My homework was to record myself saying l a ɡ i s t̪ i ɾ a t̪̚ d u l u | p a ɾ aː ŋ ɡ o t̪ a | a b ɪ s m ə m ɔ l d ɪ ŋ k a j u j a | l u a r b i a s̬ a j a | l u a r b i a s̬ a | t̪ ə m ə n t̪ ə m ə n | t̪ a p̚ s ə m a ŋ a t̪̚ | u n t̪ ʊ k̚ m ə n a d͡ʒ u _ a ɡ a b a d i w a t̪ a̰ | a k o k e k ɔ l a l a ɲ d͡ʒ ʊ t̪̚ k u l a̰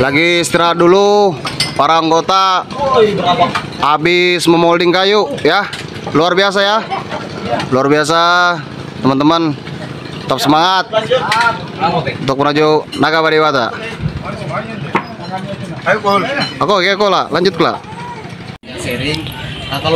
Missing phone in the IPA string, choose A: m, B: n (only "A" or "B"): B